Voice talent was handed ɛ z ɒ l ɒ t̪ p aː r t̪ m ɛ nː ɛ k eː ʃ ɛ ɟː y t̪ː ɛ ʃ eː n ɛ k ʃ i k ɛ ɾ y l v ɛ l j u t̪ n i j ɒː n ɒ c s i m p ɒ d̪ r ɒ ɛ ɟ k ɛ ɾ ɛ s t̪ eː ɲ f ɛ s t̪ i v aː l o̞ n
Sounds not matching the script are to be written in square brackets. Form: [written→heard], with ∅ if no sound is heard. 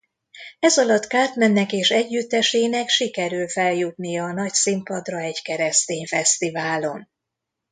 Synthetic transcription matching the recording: ɛ z ɒ l ɒ t̪ [p→k] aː r t̪ m ɛ nː ɛ k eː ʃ ɛ ɟː y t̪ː ɛ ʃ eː n ɛ k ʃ i k ɛ ɾ y l [v→f] ɛ l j u t̪ n i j ɒː n ɒ c s i m p ɒ d̪ r ɒ ɛ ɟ k ɛ ɾ ɛ s t̪ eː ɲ f ɛ s t̪ i v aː l o̞ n